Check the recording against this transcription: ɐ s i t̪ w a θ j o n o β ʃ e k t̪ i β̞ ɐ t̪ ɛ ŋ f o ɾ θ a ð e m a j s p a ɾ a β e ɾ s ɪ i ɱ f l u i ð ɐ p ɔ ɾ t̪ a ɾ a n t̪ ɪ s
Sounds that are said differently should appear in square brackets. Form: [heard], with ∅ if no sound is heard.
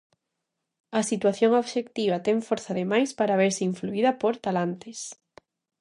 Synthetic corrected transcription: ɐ s i t̪ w a θ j o [ŋ] o β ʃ e k t̪ i β̞ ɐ t̪ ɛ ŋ f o ɾ θ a ð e m a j s p a ɾ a β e ɾ s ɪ i ɱ f l u i ð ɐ p [o] ɾ t̪ a [l] a n t̪ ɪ s